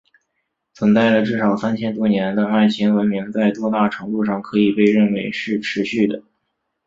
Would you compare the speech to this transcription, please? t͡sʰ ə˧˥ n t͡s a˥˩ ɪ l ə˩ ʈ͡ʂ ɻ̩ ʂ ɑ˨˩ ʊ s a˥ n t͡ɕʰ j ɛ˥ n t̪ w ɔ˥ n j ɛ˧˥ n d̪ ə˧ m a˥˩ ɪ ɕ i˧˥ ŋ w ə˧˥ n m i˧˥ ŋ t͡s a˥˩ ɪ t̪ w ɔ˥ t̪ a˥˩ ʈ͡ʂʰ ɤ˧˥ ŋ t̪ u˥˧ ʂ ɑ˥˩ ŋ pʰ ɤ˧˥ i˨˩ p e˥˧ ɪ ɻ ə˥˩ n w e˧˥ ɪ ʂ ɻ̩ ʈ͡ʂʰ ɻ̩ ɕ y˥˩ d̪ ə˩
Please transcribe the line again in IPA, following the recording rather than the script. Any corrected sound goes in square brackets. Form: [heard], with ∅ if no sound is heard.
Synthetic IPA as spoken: t͡sʰ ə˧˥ n t͡s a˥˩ ɪ l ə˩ ʈ͡ʂ ɻ̩ ʂ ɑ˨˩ ʊ s a˥ n t͡ɕʰ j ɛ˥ n t̪ w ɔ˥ n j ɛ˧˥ n d̪ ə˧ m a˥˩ ɪ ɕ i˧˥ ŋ w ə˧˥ n m i˧˥ ŋ t͡s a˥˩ ɪ t̪ w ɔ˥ t̪ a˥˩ ʈ͡ʂʰ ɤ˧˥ ŋ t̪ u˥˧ ʂ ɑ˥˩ ŋ [kʰ] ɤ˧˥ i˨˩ p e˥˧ ɪ ɻ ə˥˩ n w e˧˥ ɪ ʂ ɻ̩ ʈ͡ʂʰ ɻ̩ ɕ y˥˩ d̪ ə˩

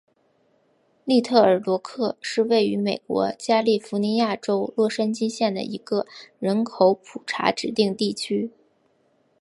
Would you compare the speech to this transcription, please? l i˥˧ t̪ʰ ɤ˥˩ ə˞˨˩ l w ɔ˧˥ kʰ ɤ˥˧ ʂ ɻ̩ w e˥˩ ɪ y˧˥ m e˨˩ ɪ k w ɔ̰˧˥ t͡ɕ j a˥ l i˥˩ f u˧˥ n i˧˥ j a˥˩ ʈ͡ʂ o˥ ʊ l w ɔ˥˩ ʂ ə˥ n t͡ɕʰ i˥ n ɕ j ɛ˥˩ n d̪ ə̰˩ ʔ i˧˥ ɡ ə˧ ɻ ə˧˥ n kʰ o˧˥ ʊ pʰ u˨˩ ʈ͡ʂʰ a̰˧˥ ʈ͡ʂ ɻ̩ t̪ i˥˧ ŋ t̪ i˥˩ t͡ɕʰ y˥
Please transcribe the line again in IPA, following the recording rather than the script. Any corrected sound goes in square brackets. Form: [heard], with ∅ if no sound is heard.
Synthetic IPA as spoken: l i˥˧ t̪ʰ ɤ˥˩ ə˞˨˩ l w ɔ˧˥ kʰ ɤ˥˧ ʂ ɻ̩ w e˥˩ ɪ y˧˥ m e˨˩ ɪ k w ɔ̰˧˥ t͡ɕ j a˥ l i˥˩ f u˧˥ n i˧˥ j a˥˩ ʈ͡ʂ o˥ ʊ l w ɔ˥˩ ʂ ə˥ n [t͡ɕ] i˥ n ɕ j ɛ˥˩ n d̪ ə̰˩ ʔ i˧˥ ɡ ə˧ ɻ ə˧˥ n kʰ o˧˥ ʊ pʰ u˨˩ ʈ͡ʂʰ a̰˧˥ ʈ͡ʂ ɻ̩ t̪ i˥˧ ŋ t̪ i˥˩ t͡ɕʰ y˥

